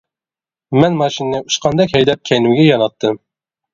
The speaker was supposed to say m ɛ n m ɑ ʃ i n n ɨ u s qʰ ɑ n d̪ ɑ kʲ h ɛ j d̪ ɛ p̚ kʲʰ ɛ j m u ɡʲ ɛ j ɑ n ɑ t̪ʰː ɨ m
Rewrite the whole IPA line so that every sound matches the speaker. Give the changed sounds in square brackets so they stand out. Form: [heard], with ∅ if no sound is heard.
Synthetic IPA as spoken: m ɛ n m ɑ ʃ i n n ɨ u [ʃ] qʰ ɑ n d̪ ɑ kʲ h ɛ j d̪ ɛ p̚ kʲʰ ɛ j [n] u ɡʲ ɛ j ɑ n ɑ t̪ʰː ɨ m

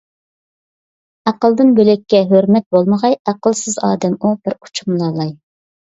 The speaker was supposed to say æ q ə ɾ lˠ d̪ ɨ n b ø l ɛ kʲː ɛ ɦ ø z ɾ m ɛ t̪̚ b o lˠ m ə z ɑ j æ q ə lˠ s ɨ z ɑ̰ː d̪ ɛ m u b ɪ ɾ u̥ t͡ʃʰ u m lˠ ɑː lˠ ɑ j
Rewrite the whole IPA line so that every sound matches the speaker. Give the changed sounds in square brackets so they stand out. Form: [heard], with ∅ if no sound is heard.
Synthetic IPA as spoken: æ q ə [∅] lˠ d̪ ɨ n b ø l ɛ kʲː ɛ ɦ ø [∅] ɾ m ɛ t̪̚ b o lˠ m ə [ʁ] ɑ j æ q ə lˠ s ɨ z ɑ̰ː d̪ ɛ m u b ɪ ɾ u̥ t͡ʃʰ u m lˠ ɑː lˠ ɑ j

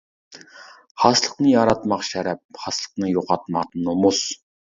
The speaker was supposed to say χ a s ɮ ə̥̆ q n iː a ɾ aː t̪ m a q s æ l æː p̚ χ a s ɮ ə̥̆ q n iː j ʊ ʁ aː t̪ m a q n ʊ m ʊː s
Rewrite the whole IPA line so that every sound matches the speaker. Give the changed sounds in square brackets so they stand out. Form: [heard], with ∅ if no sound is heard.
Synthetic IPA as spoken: χ a s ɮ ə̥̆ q n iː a ɾ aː t̪ m a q [ʃ] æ [ɾ] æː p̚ χ a s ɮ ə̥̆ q n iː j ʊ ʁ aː t̪ m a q n ʊ m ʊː s

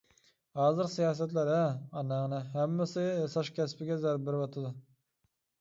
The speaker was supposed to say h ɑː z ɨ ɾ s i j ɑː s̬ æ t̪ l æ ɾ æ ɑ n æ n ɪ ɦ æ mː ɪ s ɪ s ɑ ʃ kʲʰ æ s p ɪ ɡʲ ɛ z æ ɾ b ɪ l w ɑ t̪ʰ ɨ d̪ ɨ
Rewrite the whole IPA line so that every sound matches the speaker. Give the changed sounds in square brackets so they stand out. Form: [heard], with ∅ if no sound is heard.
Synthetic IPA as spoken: h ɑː z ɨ ɾ s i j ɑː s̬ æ t̪ l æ ɾ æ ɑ n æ n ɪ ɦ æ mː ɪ s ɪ s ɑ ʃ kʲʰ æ s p ɪ ɡʲ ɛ z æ ɾ b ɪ [ɾ] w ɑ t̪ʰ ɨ d̪ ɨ

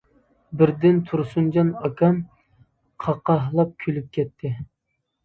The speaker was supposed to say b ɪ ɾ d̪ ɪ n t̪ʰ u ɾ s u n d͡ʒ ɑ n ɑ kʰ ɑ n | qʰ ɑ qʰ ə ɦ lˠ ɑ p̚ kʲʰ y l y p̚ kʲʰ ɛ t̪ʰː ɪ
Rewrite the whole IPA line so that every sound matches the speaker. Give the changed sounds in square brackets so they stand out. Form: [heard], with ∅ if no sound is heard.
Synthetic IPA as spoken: b ɪ ɾ d̪ ɪ n t̪ʰ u ɾ s u n d͡ʒ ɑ n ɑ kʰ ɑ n | qʰ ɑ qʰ [ɑ] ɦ lˠ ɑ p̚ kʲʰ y l y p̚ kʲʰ ɛ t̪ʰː ɪ

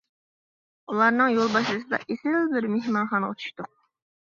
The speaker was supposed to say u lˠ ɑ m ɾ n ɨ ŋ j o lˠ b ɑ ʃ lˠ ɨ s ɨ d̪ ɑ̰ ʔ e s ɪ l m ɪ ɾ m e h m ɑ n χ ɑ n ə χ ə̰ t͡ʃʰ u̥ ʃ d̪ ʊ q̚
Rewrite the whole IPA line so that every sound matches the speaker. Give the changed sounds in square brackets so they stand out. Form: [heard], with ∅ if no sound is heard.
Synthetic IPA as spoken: u lˠ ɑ [∅] ɾ n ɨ ŋ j o lˠ b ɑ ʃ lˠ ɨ s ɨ d̪ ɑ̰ ʔ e s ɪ l [b] ɪ ɾ m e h m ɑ n χ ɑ n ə [ʁ] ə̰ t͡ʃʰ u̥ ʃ [t̪] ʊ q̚

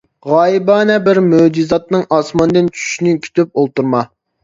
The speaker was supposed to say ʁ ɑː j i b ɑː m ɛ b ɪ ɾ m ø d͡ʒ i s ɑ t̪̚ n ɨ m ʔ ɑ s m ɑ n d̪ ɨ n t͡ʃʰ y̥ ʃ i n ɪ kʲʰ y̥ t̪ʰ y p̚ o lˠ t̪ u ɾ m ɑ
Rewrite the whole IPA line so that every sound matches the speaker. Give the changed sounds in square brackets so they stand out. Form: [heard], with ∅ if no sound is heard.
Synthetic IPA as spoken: ʁ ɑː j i b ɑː [n] ɛ b ɪ ɾ m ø d͡ʒ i [z] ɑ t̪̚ n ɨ [ŋ] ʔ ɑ s m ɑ n d̪ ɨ n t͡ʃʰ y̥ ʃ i n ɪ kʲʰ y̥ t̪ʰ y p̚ o lˠ t̪ u ɾ m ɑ

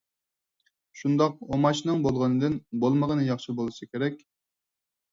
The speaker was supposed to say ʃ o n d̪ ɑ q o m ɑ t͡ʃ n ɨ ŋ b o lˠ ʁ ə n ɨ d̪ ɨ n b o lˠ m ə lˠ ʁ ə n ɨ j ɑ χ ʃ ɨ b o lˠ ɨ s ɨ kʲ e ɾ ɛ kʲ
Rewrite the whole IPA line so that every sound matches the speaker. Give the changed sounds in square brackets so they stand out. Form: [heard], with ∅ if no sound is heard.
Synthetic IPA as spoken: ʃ [u] n d̪ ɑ q o m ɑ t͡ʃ n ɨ ŋ b o lˠ ʁ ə n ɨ d̪ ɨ n b o lˠ m ə [∅] ʁ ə n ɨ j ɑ χ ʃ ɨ b o lˠ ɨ s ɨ kʲ e ɾ ɛ kʲ

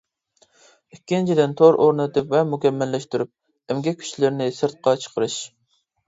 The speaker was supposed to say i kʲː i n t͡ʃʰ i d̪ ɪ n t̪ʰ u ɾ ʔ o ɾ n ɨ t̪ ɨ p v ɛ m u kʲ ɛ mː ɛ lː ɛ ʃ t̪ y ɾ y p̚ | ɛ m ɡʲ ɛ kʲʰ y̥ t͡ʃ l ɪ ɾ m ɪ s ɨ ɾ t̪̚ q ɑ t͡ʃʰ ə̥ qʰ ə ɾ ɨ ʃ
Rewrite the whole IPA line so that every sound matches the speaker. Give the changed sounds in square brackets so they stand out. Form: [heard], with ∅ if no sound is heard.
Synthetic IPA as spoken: i kʲː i n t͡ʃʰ i d̪ ɪ n t̪ʰ [o] ɾ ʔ o ɾ n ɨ t̪ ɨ p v ɛ m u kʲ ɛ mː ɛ lː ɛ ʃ t̪ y ɾ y p̚ | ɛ m ɡʲ ɛ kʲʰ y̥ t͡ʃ l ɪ ɾ [n] ɪ s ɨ ɾ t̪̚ q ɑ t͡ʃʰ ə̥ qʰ ə ɾ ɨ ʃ

